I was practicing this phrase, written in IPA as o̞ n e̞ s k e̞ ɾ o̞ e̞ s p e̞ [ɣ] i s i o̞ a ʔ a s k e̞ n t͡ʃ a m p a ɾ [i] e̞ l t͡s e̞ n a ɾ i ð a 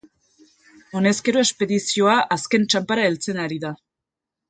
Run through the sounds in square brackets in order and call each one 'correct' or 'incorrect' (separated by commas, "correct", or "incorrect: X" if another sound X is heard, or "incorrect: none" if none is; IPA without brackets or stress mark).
incorrect: ð, incorrect: a